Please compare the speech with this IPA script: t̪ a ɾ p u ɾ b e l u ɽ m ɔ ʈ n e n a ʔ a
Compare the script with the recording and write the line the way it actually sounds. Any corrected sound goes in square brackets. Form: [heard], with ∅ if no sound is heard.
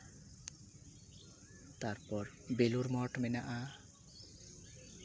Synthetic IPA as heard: t̪ a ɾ p [ɔ] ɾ b e l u [ɾ] m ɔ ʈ [m] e n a ʔ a